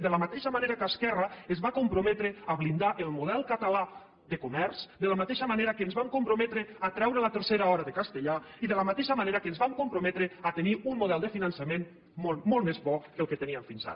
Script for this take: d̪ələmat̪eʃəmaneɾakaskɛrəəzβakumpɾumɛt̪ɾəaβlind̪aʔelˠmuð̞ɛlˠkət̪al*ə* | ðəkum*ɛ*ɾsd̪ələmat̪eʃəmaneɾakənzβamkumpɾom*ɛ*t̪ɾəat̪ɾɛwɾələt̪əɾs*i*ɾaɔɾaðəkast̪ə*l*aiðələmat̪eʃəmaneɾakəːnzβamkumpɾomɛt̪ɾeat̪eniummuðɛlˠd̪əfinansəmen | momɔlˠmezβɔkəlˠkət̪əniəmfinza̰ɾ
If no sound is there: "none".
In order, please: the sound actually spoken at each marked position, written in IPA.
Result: a, ɛ, ɛ, e, ʎ

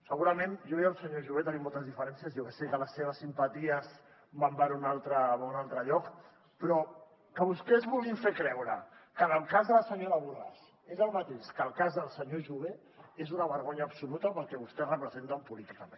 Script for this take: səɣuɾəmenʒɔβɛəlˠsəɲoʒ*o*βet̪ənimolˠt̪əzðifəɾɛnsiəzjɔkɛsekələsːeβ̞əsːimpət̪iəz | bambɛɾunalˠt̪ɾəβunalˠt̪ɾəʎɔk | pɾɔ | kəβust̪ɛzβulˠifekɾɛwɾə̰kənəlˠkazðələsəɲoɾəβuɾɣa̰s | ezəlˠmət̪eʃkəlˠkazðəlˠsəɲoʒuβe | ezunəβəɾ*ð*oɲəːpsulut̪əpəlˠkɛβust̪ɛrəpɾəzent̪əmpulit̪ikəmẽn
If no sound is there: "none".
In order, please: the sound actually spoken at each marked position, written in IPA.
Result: u, ɣ

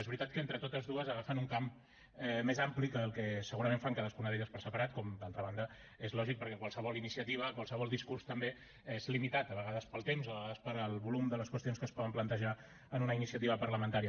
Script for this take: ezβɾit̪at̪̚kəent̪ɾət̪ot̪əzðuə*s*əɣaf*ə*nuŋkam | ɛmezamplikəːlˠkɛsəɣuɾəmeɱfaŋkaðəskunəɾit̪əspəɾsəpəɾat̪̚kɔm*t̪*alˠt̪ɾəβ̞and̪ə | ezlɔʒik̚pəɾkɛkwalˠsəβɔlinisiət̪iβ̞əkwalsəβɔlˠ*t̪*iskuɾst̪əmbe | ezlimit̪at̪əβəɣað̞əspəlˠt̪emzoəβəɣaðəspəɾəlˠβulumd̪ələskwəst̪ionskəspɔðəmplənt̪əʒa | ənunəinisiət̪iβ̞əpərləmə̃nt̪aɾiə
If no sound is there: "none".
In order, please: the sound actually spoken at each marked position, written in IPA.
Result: z, ə, d̪, d̪

